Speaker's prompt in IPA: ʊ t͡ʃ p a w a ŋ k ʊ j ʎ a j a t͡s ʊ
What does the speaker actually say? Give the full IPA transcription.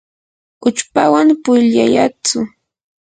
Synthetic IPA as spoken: ʊ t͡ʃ p a w a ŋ p ʊ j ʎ a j a t͡s ʊ